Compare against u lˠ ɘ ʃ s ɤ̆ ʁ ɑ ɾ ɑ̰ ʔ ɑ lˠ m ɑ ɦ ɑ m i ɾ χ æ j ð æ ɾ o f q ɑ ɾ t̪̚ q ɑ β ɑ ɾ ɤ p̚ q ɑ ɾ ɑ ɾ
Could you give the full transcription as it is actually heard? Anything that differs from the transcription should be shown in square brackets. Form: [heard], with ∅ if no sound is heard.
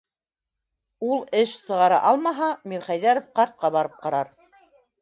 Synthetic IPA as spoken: u lˠ ɘ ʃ s ɤ̆ ʁ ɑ ɾ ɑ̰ ʔ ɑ lˠ m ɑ ɦ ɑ m i ɾ χ æ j ð æ ɾ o f q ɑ ɾ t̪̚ q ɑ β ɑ ɾ ɤ p̚ q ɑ ɾ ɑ ɾ